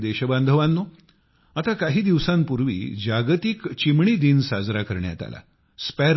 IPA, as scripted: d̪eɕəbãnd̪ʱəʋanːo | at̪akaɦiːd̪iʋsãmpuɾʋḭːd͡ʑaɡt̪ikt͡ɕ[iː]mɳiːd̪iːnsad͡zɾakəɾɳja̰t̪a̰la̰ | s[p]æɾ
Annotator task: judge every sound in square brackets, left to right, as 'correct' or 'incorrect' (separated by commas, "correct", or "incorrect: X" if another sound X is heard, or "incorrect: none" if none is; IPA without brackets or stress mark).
incorrect: i, correct